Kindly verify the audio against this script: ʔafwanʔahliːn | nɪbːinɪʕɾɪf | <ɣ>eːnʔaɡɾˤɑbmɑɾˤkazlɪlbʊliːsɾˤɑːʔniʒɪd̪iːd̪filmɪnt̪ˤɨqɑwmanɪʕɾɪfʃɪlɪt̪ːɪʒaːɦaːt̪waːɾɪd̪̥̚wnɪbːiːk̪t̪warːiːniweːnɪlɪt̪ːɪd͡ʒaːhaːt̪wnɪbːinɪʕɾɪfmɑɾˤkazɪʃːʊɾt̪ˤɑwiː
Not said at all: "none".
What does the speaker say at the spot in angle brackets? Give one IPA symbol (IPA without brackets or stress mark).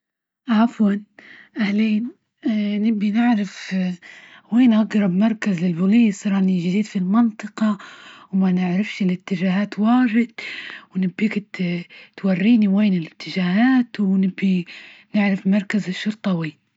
w